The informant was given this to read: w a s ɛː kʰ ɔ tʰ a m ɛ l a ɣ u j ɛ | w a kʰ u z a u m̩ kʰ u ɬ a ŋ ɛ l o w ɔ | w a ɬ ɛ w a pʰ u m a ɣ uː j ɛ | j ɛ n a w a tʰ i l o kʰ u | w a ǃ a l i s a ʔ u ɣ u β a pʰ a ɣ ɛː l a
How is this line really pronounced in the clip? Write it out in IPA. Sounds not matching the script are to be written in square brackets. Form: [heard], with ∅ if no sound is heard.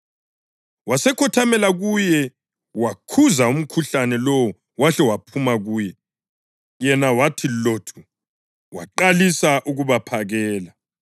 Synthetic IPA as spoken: w a s [ɛ] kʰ ɔ tʰ a m ɛ l a ɣ u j ɛ | w a kʰ u z a u m̩ kʰ u ɬ a [n] ɛ l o w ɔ | w a ɬ ɛ w a pʰ u m a ɣ uː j ɛ | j ɛ n a w a tʰ i l o [tʰ] u | w a ǃ a l i s a ʔ u ɣ u β a pʰ a ɣ ɛː l a